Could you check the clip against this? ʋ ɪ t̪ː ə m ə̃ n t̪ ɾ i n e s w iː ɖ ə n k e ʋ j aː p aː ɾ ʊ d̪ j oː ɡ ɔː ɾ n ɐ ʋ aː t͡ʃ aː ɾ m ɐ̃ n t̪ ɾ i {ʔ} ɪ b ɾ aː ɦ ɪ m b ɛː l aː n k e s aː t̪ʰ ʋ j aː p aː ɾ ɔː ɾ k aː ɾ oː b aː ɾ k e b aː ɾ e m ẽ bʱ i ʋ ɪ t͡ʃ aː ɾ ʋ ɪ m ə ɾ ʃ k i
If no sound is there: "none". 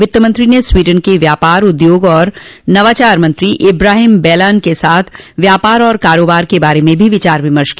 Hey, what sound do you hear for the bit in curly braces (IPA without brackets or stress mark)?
ʔ